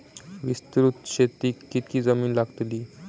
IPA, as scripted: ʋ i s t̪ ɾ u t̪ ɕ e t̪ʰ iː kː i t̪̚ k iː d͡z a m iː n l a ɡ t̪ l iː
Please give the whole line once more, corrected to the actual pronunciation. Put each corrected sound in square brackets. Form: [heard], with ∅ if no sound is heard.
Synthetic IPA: ʋ i s t̪ ɾ u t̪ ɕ e [t̪] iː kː i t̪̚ k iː d͡z [ə] m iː n l a ɡ t̪ l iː